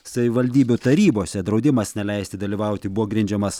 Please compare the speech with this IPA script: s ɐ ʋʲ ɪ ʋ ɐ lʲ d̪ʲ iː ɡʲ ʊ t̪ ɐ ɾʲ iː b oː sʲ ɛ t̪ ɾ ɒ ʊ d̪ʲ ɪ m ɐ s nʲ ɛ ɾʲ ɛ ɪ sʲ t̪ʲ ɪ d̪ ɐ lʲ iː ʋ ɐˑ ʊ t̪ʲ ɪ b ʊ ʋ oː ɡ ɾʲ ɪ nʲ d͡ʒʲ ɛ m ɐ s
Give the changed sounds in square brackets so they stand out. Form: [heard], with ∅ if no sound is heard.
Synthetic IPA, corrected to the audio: s ɐ ʋʲ ɪ ʋ ɐ lʲ d̪ʲ iː [bʲ] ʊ t̪ ɐ ɾʲ iː b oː sʲ ɛ [d̪] ɾ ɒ ʊ d̪ʲ ɪ m ɐ s nʲ ɛ [lʲ] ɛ ɪ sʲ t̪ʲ ɪ d̪ ɐ lʲ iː ʋ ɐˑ ʊ t̪ʲ ɪ b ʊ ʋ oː ɡ ɾʲ ɪ nʲ d͡ʒʲ ɛ m ɐ s